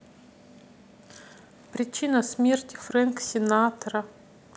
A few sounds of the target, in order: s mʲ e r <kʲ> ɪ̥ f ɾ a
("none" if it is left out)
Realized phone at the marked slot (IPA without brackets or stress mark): tʲ